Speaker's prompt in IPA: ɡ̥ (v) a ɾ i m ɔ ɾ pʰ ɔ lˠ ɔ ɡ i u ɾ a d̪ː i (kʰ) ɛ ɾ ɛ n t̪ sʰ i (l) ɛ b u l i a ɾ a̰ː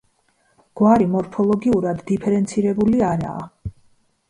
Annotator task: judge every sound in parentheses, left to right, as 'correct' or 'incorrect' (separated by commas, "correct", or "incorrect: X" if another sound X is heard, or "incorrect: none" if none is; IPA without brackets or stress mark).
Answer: incorrect: w, incorrect: pʰ, incorrect: ɾ